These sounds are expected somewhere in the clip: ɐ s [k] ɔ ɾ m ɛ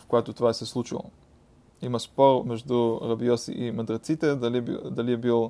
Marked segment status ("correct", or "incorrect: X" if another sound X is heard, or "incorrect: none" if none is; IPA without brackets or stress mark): incorrect: p